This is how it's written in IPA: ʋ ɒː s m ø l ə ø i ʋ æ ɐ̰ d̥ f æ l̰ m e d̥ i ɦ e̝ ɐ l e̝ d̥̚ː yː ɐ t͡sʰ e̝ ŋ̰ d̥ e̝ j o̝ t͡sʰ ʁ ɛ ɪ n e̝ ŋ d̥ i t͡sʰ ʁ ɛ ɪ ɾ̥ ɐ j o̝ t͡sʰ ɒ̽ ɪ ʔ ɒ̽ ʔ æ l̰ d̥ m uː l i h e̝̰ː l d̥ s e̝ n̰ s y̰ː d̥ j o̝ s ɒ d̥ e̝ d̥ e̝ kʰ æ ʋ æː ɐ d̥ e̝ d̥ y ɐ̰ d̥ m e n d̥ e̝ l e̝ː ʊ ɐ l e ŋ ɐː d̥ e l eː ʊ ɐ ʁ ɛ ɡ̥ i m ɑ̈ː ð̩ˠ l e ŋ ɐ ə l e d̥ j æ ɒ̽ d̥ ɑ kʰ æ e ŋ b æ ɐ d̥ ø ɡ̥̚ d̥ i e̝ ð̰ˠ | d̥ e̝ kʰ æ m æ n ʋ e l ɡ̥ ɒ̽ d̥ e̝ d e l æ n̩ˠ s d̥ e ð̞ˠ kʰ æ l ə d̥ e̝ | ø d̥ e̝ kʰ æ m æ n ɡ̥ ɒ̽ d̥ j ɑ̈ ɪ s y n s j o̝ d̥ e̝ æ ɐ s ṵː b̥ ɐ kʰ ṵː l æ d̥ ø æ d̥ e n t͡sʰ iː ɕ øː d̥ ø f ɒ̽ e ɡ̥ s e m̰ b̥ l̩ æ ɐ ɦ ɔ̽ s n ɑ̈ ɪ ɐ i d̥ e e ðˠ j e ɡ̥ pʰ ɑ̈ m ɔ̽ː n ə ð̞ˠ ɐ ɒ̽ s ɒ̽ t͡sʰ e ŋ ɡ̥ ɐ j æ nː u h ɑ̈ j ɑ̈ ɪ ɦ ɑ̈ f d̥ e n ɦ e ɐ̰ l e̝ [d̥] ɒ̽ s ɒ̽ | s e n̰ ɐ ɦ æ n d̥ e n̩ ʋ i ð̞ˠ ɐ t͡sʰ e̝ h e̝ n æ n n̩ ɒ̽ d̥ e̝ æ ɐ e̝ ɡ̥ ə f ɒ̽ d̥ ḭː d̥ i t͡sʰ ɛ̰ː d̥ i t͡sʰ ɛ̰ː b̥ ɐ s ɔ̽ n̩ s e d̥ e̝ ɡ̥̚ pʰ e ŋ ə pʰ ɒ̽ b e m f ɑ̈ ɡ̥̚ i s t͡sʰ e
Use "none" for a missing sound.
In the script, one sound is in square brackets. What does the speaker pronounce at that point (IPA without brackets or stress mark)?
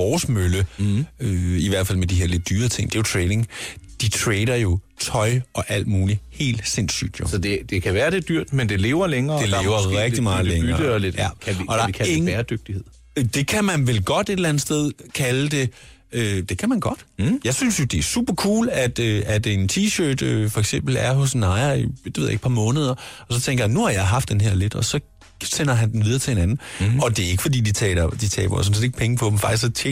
d̥